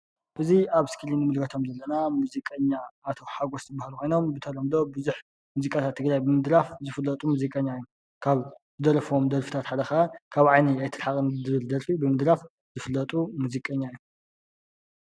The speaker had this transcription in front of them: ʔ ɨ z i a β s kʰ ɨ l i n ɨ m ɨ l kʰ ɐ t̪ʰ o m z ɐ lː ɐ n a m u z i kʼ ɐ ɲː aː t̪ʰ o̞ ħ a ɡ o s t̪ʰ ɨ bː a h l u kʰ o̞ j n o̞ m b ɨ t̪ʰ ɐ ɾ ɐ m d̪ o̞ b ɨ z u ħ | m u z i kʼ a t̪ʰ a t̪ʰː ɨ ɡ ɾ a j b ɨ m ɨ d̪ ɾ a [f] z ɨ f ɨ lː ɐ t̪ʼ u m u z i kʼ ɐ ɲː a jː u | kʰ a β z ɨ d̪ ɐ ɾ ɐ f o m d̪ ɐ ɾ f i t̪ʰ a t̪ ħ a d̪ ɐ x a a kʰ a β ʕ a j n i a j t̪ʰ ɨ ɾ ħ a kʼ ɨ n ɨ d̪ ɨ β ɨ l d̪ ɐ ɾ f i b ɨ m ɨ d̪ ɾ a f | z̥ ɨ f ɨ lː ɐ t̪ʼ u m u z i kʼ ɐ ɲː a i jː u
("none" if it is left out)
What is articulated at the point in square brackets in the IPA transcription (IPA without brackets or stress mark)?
f